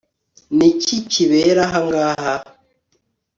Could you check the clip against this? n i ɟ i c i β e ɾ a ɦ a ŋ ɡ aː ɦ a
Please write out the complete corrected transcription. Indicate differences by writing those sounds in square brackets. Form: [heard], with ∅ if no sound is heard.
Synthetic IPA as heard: n i [c] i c i β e ɾ a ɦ a ŋ ɡ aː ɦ a